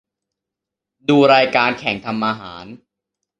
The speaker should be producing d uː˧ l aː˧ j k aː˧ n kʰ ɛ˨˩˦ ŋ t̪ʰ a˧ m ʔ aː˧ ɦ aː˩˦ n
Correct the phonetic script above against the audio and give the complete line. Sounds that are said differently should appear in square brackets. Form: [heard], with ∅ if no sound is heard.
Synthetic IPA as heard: d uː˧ [ɾ] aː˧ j k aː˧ n kʰ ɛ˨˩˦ ŋ t̪ʰ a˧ m ʔ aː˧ ɦ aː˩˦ n